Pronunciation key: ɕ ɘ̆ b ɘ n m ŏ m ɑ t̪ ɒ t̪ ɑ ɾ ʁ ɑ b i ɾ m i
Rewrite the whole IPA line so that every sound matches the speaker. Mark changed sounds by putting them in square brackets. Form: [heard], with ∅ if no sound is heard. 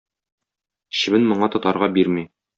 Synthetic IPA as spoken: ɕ ɘ̆ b ɘ n m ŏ [ɴ] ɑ t̪ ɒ t̪ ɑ ɾ ʁ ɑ b i ɾ m i